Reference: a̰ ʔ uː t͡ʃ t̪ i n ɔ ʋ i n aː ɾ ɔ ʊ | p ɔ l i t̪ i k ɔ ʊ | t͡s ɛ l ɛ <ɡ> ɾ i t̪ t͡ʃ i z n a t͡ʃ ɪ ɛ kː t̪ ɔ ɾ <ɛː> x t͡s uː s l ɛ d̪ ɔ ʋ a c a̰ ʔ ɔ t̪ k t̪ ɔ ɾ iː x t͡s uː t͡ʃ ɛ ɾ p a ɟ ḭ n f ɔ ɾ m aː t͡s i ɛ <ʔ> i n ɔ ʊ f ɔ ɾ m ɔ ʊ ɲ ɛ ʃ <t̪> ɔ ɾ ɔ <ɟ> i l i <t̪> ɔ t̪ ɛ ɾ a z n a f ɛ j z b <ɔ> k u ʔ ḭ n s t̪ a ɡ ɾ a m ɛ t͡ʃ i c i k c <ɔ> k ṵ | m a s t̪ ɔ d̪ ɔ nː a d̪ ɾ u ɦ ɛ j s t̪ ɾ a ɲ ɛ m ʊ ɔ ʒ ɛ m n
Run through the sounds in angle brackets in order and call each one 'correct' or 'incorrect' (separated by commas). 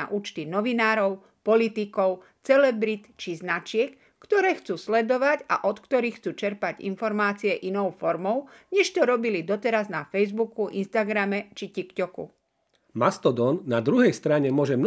incorrect, correct, correct, correct, incorrect, incorrect, incorrect, correct